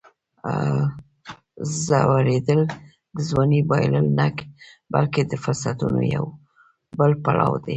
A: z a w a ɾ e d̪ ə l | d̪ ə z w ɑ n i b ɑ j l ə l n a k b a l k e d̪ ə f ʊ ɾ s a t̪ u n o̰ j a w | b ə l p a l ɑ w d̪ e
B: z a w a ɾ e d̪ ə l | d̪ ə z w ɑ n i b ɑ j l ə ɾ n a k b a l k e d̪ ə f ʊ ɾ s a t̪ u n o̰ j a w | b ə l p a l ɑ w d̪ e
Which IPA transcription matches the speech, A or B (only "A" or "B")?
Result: A